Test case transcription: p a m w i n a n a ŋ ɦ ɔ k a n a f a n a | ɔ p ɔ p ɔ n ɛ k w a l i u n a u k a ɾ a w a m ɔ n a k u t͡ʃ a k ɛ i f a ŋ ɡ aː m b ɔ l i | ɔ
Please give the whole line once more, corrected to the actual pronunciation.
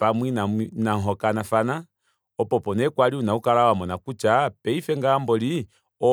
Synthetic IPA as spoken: p a m w i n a n a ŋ ɦ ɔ k a n a f a n a | ɔ p ɔ p ɔ n ɛ k w a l i u n a u k a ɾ a w a m ɔ n a k u t͡ʃ a p ɛ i f ɛ ŋ ɡ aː m b ɔ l i | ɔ

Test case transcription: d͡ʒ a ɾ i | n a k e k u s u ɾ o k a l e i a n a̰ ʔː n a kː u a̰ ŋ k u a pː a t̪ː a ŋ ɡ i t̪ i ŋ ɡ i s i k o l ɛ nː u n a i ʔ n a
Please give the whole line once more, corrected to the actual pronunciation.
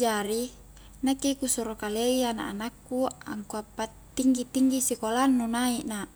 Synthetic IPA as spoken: d͡ʒ a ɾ i | n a k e k u s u ɾ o k a l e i a n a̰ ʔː n a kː u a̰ ŋ k u a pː a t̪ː i ŋ ɡ i t̪ i ŋ ɡ i s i k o l a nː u n a i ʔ n a

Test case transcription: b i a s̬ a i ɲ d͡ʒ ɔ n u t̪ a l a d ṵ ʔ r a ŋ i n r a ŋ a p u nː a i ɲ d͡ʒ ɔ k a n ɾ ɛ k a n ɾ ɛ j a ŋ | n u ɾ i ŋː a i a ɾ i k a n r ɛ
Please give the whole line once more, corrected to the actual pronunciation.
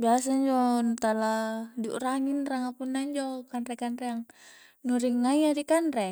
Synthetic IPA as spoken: b i a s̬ a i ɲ d͡ʒ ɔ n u t̪ a l a d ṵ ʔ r a ŋ i n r a ŋ a p u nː a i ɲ d͡ʒ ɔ k a n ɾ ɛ k a n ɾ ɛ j a ŋ | n u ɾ i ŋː a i a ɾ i k a n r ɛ

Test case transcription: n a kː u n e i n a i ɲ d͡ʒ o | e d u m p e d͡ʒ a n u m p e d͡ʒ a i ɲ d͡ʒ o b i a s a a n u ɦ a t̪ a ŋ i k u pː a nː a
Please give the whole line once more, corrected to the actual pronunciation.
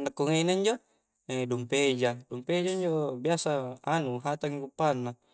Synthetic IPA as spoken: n a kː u ŋ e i n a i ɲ d͡ʒ o | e d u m p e d͡ʒ a d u m p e d͡ʒ a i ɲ d͡ʒ o b i a s a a n u ɦ a t̪ a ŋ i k u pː a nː a

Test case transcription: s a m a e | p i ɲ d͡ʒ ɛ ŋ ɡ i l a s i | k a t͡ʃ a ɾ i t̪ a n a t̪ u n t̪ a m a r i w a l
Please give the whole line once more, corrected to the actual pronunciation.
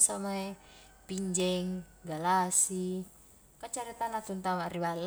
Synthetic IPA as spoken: s a m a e | p i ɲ d͡ʒ ɛ ŋ ɡ a l a s i | k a t͡ʃ a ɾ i t̪ a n a t̪ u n t̪ a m a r i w a l

